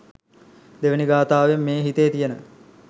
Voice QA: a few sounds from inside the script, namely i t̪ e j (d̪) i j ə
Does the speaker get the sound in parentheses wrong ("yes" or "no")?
yes